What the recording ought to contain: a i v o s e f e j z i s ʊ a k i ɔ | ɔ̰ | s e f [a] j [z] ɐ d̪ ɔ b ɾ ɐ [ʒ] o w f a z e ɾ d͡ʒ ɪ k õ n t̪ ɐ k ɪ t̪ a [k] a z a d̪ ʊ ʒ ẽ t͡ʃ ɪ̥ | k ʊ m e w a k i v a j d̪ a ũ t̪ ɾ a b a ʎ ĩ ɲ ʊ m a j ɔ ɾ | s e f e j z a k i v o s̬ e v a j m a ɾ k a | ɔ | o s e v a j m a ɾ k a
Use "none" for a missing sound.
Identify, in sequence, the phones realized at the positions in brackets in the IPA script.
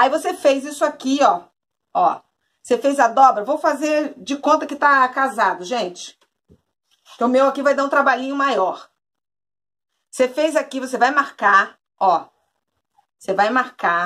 e, z, v, k

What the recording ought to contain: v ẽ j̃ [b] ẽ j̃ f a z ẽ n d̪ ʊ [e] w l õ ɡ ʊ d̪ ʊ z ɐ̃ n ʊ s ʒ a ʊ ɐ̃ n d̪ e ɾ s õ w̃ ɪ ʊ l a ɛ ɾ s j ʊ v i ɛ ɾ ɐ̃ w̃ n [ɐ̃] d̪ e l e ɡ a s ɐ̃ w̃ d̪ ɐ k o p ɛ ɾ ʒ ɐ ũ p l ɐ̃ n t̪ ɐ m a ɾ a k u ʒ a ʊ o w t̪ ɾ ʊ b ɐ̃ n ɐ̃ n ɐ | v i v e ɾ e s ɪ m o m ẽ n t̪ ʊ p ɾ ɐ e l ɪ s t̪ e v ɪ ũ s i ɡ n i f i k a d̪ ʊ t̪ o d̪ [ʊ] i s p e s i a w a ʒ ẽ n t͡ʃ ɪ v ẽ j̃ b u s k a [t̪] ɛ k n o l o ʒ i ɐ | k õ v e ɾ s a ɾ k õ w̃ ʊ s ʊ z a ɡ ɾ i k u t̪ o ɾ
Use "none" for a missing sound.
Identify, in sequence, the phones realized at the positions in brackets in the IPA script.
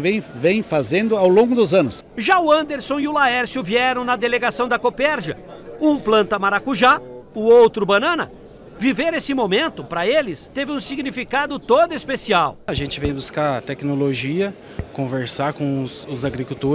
v, a, ɐ, ʊ, t̪

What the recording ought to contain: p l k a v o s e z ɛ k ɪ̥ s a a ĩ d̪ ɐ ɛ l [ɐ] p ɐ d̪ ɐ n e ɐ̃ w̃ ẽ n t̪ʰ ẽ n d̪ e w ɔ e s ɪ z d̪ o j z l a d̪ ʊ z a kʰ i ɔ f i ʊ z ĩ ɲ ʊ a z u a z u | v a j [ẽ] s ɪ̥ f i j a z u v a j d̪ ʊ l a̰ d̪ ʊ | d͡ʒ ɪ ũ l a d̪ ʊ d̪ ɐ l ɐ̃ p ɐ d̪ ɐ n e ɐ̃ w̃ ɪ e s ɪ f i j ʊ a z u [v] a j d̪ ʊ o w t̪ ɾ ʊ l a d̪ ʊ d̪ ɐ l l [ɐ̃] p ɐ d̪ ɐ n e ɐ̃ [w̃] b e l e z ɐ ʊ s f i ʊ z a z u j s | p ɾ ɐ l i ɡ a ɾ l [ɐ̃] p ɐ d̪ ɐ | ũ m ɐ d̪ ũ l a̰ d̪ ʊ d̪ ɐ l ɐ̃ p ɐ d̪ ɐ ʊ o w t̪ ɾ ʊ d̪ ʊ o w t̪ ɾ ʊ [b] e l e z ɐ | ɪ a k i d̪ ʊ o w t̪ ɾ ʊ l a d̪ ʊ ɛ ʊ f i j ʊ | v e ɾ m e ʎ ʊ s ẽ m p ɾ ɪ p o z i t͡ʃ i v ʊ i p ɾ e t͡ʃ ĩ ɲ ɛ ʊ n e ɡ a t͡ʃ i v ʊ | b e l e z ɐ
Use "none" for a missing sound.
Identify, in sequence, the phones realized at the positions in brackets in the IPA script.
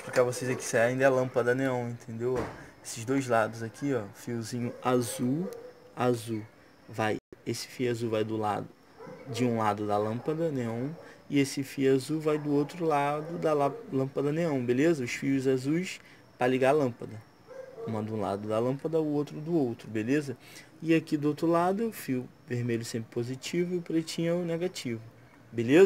ɐ̃, e, v, ɐ̃, w̃, ɐ̃, b

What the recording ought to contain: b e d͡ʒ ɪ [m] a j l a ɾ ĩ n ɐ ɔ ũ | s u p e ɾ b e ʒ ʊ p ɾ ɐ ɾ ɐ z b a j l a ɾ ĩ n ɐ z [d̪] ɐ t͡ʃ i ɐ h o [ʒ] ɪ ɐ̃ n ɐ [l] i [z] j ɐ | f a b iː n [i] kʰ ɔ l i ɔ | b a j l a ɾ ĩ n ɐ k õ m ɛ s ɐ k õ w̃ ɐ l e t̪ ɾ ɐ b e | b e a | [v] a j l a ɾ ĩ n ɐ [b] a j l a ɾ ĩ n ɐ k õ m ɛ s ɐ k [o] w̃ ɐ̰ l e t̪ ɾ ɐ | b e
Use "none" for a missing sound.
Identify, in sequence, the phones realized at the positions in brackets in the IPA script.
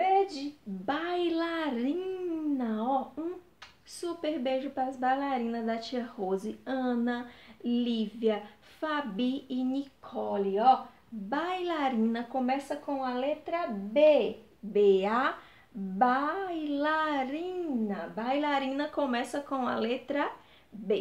b, d̪, z, l, v, i, b, b, õ

